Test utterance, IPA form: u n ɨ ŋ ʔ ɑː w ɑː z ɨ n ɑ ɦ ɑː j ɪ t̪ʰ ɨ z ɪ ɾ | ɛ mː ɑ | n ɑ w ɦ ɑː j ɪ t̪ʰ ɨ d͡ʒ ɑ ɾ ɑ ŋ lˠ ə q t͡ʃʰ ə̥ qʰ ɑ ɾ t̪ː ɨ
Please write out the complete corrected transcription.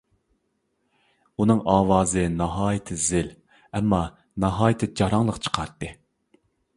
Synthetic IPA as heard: u n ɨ ŋ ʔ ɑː w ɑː z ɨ n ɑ ɦ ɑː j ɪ t̪ʰ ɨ z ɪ l | ɛ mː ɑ | n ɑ ɦ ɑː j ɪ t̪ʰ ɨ d͡ʒ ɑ ɾ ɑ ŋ lˠ ə q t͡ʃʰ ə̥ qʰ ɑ ɾ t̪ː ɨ